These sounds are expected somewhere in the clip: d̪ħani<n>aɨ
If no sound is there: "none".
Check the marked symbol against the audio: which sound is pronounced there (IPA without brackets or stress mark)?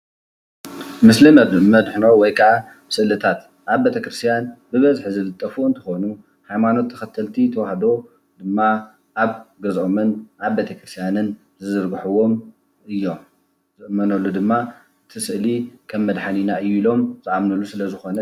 n